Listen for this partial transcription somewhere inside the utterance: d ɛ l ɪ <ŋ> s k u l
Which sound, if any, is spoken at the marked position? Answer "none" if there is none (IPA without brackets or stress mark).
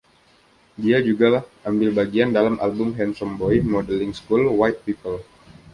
ŋ